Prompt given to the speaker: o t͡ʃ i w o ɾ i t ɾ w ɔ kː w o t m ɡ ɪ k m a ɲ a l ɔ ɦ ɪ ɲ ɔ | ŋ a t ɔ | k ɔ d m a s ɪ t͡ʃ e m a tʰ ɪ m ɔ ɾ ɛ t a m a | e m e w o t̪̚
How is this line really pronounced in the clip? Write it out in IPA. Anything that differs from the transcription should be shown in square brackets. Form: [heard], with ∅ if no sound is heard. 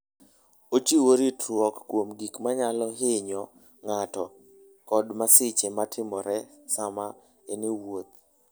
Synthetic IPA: o t͡ʃ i w o ɾ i t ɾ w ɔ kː w o [∅] m ɡ [i] k m a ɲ a l ɔ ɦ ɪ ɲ ɔ | ŋ a t ɔ | k ɔ d m a s ɪ t͡ʃ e m a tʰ ɪ m ɔ ɾ ɛ [s] a m a | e [n] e w o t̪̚